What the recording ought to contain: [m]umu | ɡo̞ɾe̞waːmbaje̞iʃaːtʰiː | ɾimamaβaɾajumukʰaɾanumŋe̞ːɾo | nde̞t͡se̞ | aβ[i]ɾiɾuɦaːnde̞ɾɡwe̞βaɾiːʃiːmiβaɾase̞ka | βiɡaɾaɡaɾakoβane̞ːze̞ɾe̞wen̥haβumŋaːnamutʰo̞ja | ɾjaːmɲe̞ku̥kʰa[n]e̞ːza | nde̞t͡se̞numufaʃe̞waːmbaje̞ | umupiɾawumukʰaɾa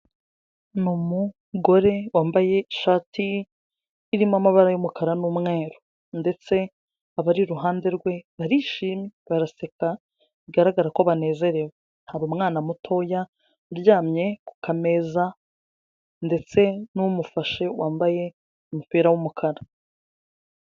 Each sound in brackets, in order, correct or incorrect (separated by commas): incorrect, incorrect, incorrect